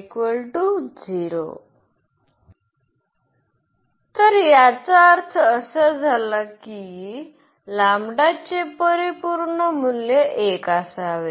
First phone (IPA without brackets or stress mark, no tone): k